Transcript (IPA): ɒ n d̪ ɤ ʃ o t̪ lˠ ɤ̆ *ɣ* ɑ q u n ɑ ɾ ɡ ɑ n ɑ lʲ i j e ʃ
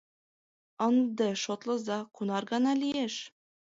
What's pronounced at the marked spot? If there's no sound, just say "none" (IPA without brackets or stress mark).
z